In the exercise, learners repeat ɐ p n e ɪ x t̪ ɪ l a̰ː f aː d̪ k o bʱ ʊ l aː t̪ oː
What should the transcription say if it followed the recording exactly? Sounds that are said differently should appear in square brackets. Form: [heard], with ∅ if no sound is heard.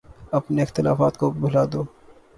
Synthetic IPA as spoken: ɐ p n e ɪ x t̪ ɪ l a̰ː f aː [t̪] k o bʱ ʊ l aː [d̪] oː